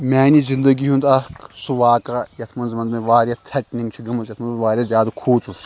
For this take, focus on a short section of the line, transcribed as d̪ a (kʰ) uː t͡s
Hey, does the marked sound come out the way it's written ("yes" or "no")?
yes